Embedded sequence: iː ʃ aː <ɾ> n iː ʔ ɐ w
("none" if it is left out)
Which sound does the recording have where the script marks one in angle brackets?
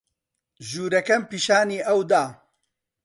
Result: none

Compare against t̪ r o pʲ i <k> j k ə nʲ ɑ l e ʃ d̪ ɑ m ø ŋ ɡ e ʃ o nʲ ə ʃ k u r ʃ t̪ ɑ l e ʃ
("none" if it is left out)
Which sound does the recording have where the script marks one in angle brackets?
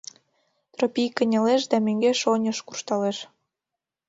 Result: none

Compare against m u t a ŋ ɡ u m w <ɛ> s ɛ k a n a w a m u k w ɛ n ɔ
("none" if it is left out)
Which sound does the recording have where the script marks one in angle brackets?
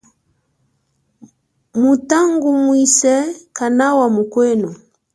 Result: i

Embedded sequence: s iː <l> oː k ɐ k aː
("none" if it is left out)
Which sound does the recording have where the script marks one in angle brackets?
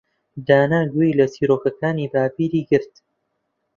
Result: ɾ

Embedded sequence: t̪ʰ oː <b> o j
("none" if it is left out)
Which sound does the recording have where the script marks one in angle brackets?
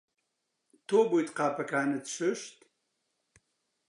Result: b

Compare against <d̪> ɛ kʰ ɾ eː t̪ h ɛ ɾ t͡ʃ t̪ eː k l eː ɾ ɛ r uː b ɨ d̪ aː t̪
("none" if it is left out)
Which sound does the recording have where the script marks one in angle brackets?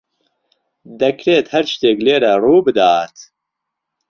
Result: d̪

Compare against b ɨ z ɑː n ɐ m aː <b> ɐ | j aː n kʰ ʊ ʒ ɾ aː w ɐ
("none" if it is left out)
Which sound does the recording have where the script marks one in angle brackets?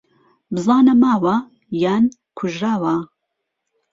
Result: w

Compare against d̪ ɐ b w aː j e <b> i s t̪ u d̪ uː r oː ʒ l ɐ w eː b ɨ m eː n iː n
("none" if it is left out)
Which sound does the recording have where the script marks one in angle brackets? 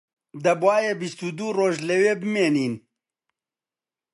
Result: b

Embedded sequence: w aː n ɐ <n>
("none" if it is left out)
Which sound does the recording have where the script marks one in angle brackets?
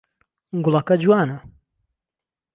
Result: none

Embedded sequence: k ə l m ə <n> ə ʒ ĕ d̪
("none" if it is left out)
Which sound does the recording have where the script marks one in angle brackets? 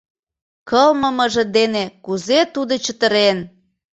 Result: m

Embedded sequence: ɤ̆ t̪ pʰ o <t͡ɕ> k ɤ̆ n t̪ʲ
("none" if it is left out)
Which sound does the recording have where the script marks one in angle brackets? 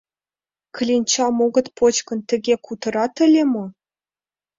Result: t͡ɕ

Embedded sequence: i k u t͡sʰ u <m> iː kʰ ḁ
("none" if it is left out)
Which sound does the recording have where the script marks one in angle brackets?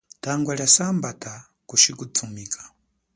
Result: m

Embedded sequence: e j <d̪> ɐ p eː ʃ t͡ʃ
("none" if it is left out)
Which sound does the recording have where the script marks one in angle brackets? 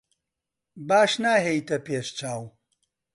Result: t̪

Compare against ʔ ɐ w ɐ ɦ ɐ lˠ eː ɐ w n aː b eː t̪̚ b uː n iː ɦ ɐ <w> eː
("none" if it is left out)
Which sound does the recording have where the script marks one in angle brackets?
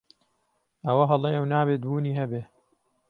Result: b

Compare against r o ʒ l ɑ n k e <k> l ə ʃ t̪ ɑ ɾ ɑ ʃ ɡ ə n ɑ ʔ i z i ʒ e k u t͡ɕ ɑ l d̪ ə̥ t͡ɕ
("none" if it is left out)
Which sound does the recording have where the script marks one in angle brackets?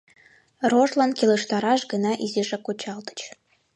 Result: none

